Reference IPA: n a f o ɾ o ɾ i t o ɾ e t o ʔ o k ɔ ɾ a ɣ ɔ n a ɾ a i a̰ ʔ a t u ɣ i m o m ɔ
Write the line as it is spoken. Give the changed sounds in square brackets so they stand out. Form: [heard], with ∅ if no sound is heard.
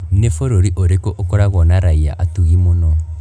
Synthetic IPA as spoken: n [e] f o ɾ o ɾ i [ʔ] o ɾ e [k] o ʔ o k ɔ ɾ a ɣ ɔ n a ɾ a i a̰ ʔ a t u ɣ i m o [n] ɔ